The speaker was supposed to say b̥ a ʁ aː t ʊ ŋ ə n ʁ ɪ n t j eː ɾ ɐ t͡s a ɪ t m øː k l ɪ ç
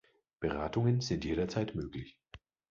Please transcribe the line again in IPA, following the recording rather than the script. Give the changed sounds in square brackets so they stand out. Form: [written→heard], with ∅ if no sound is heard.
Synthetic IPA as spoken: b̥ [a→ə] ʁ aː t ʊ ŋ ə n [ʁ→z] ɪ n t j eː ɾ ɐ t͡s a ɪ t m øː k l ɪ ç